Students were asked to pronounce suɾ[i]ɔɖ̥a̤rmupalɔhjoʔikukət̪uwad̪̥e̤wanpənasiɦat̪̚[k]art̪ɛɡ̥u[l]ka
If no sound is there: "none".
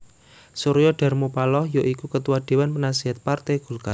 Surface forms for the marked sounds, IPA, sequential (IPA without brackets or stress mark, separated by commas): j, p, l